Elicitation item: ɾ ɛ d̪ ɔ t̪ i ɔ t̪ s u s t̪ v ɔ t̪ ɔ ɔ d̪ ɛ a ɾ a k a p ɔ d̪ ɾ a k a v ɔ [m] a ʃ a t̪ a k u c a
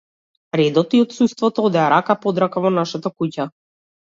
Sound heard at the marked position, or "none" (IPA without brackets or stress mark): n